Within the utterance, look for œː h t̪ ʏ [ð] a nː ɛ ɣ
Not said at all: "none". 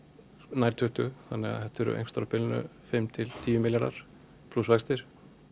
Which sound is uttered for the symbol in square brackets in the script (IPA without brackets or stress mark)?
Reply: θ